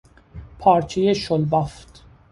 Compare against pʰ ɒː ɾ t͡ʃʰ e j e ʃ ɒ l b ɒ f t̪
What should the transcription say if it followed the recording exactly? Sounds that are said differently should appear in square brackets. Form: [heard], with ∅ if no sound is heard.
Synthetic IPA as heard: pʰ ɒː ɾ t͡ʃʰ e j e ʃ [o] l b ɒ f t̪